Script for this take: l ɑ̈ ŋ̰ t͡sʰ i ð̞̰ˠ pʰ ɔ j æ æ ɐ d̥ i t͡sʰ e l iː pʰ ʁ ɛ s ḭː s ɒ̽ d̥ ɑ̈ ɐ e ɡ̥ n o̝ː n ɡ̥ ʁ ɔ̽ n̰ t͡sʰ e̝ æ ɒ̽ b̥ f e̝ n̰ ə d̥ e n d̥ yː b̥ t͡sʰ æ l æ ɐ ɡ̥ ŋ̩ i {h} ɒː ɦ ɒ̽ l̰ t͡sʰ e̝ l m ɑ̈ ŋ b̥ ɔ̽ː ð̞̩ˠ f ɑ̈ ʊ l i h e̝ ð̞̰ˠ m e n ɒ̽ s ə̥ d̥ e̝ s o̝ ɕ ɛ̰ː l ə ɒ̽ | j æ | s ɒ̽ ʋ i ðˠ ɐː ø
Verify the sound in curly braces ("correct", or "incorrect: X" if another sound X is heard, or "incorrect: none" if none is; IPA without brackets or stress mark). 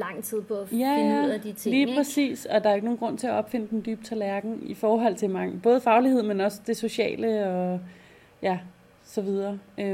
incorrect: f